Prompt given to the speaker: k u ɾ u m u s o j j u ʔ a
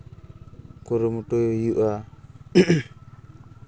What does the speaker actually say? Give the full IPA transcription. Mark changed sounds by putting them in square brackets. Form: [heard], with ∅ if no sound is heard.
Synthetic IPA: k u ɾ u m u [t] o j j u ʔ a

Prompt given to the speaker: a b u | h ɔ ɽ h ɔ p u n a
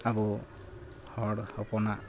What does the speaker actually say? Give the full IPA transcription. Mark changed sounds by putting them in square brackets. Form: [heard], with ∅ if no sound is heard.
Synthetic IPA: a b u | h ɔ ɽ h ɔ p [ɔ] n a

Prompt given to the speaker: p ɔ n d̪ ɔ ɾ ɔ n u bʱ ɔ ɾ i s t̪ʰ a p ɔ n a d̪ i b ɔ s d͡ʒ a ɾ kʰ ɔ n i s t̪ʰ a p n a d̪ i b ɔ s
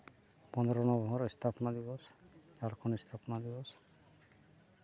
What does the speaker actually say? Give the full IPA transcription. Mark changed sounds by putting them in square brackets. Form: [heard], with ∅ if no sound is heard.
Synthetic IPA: p ɔ n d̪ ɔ ɾ ɔ n [ɔ] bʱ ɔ ɾ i s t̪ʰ a p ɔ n a d̪ i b ɔ s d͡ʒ a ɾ kʰ ɔ n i s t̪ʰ a p n a d̪ i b ɔ s

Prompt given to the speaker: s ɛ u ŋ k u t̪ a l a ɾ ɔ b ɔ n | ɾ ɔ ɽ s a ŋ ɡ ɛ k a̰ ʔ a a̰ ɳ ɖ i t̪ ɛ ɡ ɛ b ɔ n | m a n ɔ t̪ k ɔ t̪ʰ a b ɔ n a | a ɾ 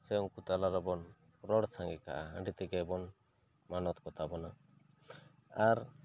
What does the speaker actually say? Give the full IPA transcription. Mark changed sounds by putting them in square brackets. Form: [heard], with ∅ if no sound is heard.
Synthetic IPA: s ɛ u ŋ k u t̪ a l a ɾ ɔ b ɔ n | ɾ ɔ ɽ s a ŋ ɡ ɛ k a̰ ʔ a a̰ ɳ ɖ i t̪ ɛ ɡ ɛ b ɔ n | m a n ɔ t̪ k ɔ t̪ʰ a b ɔ n a | a ɾ

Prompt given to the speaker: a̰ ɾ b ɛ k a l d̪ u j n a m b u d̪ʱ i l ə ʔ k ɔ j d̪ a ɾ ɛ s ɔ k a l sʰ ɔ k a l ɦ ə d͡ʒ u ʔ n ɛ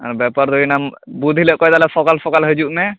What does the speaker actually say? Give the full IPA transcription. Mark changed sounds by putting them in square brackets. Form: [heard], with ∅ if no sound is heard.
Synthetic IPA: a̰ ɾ b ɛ [p] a [ɾ] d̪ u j n a m b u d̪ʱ i l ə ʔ k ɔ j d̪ a [l] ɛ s ɔ k a l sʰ ɔ k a l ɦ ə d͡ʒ u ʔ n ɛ

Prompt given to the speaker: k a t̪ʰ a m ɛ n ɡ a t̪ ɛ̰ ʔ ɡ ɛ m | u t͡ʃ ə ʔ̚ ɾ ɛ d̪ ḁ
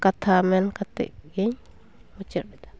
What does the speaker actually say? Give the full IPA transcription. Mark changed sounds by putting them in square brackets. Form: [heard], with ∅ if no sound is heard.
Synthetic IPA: k a t̪ʰ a m ɛ n [k] a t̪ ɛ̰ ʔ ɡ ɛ [ɲ] | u t͡ʃ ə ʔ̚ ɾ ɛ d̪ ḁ

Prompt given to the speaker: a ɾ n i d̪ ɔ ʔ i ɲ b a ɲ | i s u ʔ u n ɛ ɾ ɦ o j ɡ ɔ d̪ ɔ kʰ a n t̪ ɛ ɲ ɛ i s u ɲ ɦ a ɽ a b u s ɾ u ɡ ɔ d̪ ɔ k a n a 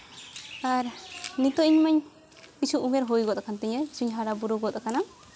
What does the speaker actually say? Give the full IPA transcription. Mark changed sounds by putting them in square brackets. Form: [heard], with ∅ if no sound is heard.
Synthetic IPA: a ɾ n i [t̪] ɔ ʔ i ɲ [m] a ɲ | i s u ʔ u [m] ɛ ɾ ɦ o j ɡ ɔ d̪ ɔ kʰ a n t̪ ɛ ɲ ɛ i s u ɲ ɦ a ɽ a b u [∅] ɾ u ɡ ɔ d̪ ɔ k a n a

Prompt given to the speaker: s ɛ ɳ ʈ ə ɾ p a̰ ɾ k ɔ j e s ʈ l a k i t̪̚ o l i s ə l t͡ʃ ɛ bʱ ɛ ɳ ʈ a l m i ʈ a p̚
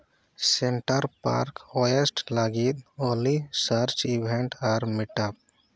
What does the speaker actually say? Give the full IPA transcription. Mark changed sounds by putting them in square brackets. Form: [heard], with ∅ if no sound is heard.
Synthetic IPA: s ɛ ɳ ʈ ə ɾ p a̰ ɾ k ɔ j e s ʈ l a [ɡ] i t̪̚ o l i s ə [ɾ] t͡ʃ [i] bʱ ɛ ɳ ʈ a [ɾ] m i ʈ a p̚

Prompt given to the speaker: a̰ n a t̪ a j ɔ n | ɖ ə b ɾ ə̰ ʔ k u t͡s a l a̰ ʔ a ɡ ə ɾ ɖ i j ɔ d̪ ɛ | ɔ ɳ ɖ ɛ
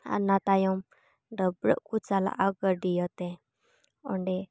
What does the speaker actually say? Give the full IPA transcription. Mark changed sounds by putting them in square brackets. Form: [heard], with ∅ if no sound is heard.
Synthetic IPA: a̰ n a t̪ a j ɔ [m] | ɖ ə b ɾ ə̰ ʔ k u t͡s a l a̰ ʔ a ɡ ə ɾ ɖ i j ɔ [t̪] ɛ | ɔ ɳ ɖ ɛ

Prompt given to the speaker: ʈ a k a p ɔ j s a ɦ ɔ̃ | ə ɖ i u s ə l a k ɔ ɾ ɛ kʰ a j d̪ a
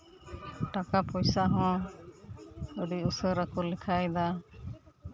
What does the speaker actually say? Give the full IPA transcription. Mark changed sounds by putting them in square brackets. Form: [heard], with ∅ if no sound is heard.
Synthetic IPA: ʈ a k a p ɔ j s a ɦ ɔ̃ | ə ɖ i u s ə [ɾ] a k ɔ [l] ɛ kʰ a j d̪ a

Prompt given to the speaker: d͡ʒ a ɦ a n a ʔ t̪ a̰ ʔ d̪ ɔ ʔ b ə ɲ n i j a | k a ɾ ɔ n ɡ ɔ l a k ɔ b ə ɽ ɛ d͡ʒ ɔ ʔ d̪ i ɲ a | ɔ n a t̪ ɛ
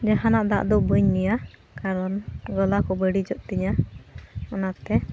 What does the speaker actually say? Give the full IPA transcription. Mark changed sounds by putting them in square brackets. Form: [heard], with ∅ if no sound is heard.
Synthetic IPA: d͡ʒ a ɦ a n a ʔ [d̪] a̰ ʔ d̪ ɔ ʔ b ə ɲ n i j a | k a ɾ ɔ n ɡ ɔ l a k ɔ b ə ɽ [i] d͡ʒ ɔ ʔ [t̪] i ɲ a | ɔ n a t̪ ɛ

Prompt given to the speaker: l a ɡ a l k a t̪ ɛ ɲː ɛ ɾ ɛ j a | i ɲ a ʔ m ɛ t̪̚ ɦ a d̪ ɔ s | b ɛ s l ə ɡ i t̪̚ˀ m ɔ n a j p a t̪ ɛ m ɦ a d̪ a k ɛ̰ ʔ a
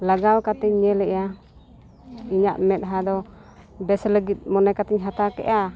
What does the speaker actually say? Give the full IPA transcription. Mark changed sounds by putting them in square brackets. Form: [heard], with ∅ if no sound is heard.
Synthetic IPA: l a ɡ a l k a t̪ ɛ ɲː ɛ [l] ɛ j a | i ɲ a ʔ m ɛ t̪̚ ɦ a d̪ ɔ [∅] | b ɛ s l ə ɡ i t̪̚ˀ m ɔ n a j [k] a t̪ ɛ [ɲ] ɦ a [t̪] a k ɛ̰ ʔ a

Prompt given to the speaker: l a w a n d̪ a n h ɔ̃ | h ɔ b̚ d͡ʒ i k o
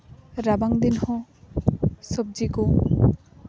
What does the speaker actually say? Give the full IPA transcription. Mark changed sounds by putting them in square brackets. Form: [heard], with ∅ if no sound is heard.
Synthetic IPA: [ɾ] a [b] a [ŋ] d̪ [i] n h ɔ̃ | [s] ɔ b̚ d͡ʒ i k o

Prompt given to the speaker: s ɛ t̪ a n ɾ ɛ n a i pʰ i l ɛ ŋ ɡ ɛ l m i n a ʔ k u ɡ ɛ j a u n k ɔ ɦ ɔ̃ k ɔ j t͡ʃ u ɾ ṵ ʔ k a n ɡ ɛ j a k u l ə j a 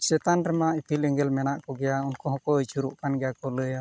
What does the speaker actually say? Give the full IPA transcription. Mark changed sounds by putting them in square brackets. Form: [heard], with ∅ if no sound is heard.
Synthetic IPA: s ɛ t̪ a n ɾ ɛ [m] a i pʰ i l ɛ ŋ ɡ ɛ l m [ɛ] n a ʔ k [ɔ] ɡ ɛ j a u n k ɔ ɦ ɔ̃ k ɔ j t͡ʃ u ɾ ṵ ʔ k a n ɡ ɛ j a k [ɔ] l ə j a

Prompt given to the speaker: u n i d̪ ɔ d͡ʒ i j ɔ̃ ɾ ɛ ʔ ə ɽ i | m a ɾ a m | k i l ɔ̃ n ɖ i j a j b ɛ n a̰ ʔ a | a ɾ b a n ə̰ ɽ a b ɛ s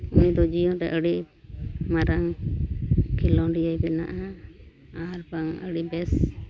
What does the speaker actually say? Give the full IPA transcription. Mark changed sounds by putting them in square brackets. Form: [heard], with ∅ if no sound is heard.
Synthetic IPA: u n i d̪ ɔ d͡ʒ i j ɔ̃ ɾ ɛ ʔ ə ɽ i | m a ɾ a [ŋ] | k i l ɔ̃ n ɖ i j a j b ɛ n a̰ ʔ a | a ɾ b a [ŋ] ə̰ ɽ [i] b ɛ s

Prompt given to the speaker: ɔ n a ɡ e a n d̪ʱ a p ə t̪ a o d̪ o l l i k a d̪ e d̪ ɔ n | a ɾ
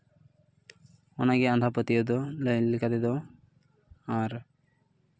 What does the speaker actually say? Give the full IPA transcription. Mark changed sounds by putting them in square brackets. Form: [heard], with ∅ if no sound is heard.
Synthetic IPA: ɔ n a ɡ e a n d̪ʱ a p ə t̪ [i] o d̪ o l l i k a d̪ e d̪ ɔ [∅] | a ɾ

